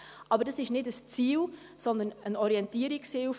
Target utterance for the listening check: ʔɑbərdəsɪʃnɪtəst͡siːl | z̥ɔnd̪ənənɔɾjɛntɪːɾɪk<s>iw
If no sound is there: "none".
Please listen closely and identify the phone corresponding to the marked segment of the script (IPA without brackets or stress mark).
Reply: s